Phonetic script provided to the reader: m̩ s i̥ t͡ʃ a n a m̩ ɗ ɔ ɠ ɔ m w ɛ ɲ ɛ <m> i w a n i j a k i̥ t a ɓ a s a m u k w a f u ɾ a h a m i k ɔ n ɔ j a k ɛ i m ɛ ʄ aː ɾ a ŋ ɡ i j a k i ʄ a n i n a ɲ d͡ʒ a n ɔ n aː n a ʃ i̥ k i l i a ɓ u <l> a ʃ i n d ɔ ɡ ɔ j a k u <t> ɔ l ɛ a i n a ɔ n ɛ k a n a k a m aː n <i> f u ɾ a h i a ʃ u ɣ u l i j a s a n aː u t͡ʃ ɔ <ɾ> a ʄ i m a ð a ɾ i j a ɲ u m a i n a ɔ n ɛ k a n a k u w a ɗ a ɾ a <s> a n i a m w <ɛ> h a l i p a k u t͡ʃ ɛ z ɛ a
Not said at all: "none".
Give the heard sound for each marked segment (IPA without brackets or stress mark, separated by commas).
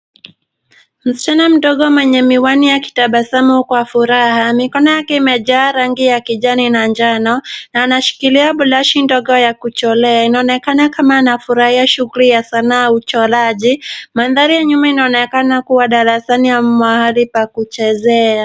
m, l, t͡ʃ, a, l, s, a